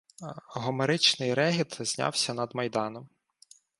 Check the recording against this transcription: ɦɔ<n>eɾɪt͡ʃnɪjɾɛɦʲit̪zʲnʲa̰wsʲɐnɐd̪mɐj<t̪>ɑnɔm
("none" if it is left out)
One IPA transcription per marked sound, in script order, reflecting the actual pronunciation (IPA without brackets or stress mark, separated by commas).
m, d̪